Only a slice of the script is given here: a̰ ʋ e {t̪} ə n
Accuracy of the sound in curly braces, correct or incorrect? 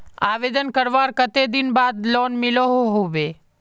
incorrect